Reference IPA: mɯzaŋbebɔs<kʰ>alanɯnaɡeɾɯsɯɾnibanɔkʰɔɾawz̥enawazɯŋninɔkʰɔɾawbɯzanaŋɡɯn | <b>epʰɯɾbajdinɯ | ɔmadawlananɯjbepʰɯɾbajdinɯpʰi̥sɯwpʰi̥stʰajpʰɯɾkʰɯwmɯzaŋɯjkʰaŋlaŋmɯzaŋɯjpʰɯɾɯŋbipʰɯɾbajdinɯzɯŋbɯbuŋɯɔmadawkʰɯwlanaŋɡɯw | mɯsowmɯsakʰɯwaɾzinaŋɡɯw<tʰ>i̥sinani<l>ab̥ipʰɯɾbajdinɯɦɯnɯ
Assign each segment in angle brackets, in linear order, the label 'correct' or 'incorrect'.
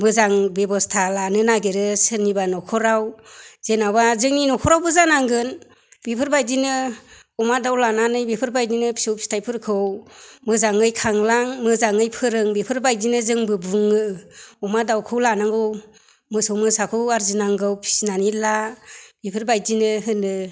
incorrect, correct, incorrect, correct

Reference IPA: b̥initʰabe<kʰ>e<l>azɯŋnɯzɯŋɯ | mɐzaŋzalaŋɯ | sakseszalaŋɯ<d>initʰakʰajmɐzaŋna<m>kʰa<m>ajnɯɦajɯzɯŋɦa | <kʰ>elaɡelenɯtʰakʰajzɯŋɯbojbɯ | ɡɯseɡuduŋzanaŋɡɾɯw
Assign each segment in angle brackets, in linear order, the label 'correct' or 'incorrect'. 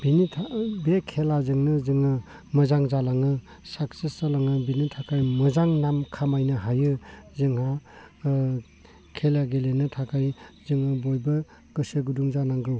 correct, correct, incorrect, correct, correct, correct

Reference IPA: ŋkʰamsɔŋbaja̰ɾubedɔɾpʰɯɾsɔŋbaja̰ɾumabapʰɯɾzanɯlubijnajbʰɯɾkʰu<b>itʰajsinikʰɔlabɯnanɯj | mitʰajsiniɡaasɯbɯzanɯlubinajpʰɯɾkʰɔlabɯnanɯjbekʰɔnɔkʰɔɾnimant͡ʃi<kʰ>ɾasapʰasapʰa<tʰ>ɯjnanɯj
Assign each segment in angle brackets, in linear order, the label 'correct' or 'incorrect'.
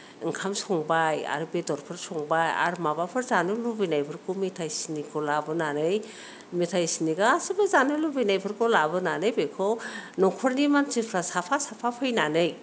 incorrect, incorrect, incorrect

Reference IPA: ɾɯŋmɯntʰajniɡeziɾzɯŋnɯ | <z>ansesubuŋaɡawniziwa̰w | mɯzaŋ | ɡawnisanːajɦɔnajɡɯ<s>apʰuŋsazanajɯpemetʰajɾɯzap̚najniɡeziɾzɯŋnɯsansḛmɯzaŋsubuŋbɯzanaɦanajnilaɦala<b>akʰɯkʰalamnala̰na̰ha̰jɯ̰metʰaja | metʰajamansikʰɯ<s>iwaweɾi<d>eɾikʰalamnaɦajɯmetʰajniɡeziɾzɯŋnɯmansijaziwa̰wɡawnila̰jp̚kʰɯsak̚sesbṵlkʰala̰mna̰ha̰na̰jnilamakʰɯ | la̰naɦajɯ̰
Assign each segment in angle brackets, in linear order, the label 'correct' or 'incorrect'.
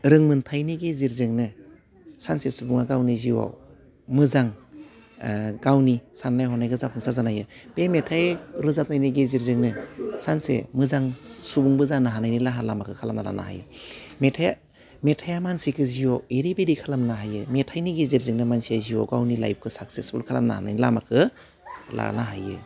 incorrect, incorrect, incorrect, incorrect, incorrect

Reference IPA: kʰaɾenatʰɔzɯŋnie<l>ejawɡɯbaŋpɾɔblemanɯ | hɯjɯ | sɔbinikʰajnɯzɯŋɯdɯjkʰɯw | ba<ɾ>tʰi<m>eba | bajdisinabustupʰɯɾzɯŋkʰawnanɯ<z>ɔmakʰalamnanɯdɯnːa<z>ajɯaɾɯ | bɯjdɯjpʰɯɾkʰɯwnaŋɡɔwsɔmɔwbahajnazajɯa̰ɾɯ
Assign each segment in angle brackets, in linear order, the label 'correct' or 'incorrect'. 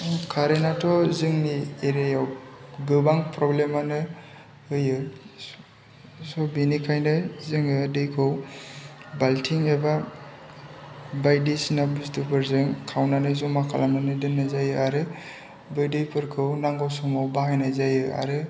incorrect, incorrect, incorrect, correct, correct

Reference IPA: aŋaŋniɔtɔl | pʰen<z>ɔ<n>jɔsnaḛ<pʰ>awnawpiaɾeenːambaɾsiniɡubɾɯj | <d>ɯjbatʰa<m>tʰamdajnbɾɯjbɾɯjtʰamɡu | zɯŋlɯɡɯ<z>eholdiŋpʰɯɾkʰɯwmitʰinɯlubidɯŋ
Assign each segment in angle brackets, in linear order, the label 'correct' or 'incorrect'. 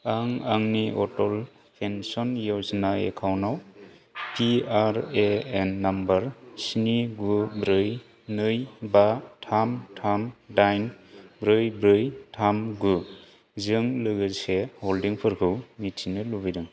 incorrect, correct, incorrect, incorrect, correct, incorrect

